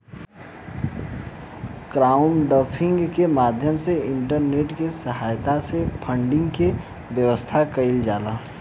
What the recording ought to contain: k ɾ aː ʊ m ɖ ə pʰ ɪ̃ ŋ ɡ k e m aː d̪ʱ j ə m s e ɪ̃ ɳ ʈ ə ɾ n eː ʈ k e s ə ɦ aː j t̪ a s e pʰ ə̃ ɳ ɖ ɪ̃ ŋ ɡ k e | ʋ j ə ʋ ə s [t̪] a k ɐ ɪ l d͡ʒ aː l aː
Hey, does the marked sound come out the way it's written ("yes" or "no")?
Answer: no